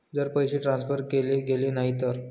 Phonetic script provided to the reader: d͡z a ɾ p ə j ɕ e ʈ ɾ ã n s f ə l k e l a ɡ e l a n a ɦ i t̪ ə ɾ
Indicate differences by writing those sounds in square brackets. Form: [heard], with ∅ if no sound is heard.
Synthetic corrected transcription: d͡z [ə] ɾ p ə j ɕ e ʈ ɾ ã n s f ə [ɾ] k e l [e] ɡ e l [e] n a ɦ i t̪ ə ɾ